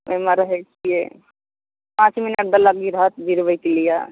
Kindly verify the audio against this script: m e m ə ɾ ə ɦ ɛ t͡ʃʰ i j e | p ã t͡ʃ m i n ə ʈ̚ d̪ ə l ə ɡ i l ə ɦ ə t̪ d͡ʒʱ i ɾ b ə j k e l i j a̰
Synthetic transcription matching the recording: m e m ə ɾ ə ɦ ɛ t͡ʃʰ i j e | p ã t͡ʃ m i n ə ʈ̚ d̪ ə l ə ɡ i ɾ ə ɦ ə t̪ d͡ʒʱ i ɾ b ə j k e l i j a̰